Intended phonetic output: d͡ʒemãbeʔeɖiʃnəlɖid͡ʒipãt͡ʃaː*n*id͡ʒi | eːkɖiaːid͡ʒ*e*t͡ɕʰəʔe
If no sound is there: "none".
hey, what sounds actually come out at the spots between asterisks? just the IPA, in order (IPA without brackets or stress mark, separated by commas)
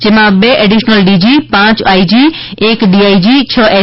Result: none, i